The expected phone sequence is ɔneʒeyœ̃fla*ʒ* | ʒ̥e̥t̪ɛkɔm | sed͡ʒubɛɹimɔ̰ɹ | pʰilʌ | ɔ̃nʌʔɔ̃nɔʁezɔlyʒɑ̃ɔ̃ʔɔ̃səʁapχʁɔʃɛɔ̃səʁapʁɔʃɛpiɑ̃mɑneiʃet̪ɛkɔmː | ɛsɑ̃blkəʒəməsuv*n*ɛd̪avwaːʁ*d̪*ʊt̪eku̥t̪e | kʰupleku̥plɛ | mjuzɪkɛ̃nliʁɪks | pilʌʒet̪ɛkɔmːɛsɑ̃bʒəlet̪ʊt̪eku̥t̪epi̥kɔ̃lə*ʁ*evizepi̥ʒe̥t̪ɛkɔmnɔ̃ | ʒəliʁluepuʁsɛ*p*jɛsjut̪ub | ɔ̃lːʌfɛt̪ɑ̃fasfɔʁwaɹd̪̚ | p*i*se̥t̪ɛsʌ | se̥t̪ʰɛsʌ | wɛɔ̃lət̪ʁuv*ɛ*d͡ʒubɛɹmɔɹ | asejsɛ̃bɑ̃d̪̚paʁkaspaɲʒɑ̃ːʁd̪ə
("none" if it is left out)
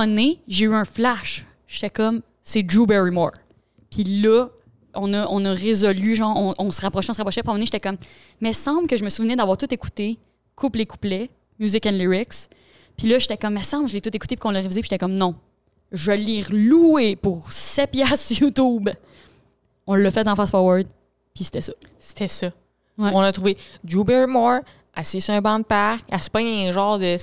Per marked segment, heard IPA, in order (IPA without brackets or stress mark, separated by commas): ʃ, n, t̪, ʁ, p, i, e